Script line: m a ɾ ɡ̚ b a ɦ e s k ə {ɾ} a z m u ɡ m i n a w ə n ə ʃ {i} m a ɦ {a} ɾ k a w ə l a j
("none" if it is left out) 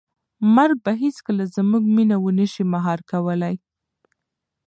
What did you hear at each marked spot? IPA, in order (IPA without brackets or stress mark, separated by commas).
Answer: l, i, ɑ